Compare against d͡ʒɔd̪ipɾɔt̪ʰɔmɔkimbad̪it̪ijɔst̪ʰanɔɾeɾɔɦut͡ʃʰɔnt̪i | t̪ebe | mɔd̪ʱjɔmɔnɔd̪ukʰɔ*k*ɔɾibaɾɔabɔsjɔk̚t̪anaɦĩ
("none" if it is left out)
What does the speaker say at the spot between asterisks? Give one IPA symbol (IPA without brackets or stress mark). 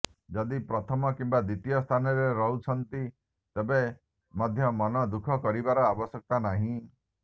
k